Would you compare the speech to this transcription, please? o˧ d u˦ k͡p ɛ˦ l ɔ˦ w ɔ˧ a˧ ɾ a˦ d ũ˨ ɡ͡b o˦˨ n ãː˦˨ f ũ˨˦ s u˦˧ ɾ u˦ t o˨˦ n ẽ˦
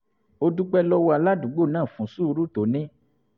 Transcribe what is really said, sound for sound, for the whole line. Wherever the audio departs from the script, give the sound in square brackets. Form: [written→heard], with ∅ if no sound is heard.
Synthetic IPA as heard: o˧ d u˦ k͡p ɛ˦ l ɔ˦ w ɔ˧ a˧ [ɾ→l] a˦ d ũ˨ ɡ͡b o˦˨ n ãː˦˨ f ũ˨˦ s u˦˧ ɾ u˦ t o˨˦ n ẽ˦

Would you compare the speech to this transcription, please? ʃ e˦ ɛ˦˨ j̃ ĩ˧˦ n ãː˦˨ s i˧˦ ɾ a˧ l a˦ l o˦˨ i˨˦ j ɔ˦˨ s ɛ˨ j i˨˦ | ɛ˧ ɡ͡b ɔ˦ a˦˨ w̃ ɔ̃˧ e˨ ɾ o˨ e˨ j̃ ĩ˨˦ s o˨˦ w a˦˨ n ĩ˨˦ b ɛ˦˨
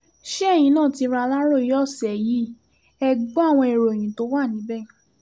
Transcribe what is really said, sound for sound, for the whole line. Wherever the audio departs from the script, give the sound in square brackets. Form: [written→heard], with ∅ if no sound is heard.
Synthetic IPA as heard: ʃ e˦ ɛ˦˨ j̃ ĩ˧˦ n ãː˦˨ [s→t] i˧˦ ɾ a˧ l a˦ [l→ɾ] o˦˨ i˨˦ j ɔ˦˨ s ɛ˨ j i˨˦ | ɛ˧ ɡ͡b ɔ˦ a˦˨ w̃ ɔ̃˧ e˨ ɾ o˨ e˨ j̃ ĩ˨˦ [s→t] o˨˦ w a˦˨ n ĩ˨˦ b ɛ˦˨

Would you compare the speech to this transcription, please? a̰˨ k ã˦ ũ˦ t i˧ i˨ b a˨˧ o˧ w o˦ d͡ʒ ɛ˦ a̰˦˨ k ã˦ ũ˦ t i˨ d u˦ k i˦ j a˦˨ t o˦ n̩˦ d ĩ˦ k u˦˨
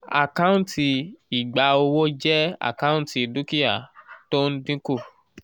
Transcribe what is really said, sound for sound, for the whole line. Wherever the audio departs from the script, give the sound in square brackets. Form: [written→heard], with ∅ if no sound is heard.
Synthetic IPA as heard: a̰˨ k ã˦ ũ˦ t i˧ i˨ [b→ɡ͡b] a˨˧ o˧ w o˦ d͡ʒ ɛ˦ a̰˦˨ k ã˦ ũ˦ t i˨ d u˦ k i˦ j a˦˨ t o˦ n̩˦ d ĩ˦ k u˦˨

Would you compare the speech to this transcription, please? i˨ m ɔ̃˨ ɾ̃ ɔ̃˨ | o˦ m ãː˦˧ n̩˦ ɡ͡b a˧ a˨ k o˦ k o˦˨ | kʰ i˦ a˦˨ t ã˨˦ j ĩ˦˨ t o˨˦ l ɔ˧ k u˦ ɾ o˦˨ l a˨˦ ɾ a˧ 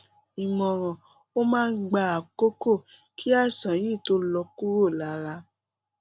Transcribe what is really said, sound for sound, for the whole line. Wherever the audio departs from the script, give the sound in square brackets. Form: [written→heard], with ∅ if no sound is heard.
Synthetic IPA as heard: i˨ m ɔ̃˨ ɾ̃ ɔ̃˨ | o˦ m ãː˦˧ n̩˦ ɡ͡b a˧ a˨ k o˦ k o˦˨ | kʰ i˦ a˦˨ [t→s] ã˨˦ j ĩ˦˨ t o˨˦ l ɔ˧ k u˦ ɾ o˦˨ l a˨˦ ɾ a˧

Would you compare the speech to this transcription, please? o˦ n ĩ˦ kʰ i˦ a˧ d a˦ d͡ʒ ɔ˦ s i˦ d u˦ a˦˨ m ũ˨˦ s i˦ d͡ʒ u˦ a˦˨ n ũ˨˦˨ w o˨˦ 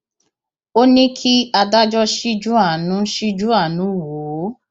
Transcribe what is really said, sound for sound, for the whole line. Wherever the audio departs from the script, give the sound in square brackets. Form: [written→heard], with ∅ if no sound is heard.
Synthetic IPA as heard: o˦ n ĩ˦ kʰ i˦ a˧ d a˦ d͡ʒ ɔ˦ [s→ʃ] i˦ [d→d͡ʒ] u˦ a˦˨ [m→n] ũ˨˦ [s→ʃ] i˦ d͡ʒ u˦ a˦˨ n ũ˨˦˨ w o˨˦

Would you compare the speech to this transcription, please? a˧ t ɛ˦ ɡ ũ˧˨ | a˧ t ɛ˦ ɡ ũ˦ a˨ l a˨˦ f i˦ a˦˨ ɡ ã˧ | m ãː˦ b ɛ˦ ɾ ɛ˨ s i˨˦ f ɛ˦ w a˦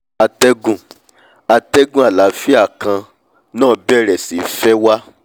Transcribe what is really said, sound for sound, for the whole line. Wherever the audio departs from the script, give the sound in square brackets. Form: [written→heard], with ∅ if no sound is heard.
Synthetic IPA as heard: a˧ t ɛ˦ ɡ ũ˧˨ | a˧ t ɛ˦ ɡ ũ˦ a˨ l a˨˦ f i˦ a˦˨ [ɡ→k] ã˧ | [m→n] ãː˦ b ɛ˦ ɾ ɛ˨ s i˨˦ f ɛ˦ w a˦

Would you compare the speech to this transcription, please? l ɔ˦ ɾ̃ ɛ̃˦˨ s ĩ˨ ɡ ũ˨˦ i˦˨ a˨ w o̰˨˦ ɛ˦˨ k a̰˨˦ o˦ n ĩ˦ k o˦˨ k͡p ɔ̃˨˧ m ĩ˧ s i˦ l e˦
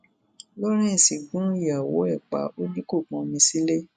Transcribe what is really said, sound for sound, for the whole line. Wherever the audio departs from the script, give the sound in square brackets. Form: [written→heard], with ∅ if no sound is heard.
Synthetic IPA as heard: l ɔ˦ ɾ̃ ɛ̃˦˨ s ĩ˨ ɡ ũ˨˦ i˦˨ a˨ w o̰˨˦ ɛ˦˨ [k→k͡p] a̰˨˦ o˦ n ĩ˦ k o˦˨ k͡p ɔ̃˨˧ m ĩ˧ s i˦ l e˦

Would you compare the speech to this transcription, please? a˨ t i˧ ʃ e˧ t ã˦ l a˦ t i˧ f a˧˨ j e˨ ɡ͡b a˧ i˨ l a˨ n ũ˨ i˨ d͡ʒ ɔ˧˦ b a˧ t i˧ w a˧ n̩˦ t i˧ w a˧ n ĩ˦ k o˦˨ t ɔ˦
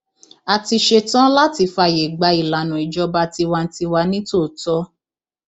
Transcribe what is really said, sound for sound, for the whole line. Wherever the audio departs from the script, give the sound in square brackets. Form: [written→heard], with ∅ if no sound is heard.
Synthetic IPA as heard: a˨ t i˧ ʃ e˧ t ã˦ l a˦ t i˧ f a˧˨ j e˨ ɡ͡b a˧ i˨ l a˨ n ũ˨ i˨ d͡ʒ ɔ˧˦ b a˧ t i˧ w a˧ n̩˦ t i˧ w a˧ n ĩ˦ [k→t] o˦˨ t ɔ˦

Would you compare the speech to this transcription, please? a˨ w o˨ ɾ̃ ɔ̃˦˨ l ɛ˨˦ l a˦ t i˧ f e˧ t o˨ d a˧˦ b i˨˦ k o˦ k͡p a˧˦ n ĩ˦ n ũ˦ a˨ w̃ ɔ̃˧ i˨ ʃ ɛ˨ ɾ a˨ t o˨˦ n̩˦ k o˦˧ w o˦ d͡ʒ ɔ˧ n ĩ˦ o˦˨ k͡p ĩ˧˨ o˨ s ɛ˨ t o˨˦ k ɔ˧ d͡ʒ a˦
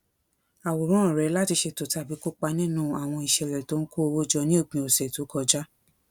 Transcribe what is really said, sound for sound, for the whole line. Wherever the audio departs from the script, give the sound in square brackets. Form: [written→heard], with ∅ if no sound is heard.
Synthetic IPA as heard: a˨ w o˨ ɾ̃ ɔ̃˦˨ [l→ɾ] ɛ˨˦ l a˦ t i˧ [f→ʃ] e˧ t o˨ [d→t] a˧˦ b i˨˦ k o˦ k͡p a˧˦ n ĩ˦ n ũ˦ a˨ w̃ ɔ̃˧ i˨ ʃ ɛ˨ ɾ [a˨→ɛ˨] t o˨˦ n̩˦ k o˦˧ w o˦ d͡ʒ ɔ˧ n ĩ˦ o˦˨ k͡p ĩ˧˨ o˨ s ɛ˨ t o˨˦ k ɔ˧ d͡ʒ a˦

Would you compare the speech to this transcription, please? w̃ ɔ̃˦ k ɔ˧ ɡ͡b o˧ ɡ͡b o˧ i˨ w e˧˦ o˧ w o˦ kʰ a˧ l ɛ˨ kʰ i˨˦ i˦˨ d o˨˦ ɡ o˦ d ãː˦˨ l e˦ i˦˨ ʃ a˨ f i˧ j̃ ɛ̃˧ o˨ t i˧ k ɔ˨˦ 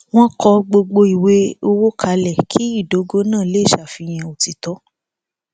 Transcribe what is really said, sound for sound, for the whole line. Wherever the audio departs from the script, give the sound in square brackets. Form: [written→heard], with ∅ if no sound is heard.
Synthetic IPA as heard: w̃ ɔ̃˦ k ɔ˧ ɡ͡b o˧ ɡ͡b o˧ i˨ w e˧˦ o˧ w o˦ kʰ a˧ l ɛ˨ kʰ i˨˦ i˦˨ d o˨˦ ɡ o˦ [d→n] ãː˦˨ l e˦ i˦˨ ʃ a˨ f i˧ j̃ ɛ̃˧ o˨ t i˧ [k→t] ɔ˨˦

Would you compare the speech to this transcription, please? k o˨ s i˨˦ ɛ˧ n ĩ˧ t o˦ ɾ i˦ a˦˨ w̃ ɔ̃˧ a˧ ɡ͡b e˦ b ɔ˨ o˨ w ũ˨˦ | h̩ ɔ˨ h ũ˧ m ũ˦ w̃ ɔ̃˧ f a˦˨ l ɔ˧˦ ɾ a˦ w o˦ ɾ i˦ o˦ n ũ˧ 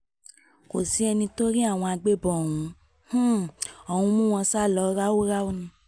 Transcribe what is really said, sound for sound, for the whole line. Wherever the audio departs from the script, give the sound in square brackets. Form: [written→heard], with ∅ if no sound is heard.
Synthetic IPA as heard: k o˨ s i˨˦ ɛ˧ n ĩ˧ t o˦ ɾ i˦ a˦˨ w̃ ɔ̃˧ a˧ ɡ͡b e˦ b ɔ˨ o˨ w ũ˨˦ | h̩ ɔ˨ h ũ˧ m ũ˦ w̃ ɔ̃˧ [f→s] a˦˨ l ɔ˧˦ ɾ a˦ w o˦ ɾ [i˦→a˦] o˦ n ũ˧

